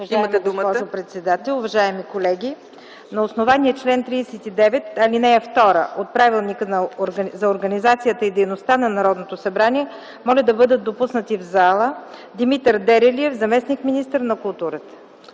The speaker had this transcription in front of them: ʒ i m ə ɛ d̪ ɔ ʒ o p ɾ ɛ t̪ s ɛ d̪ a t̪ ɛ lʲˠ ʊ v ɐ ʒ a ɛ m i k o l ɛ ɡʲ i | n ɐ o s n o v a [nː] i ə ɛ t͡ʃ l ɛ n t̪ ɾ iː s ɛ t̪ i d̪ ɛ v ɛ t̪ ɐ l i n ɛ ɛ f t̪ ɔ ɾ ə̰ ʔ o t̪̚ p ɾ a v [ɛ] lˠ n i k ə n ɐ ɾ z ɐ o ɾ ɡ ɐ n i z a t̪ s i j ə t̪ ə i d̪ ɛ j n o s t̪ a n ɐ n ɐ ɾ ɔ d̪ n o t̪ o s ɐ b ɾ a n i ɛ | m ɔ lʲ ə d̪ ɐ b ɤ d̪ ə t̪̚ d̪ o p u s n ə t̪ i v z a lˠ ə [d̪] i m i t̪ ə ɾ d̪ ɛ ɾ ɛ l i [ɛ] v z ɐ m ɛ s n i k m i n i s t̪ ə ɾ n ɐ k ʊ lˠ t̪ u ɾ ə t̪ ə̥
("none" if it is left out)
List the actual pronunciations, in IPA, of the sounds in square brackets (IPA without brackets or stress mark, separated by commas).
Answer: n, i, d̪, ɛ